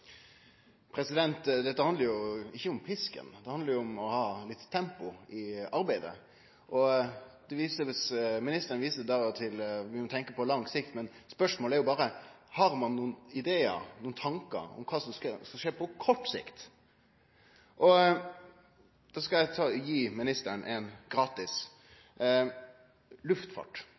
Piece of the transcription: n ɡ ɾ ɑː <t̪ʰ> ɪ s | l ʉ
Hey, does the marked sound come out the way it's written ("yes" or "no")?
no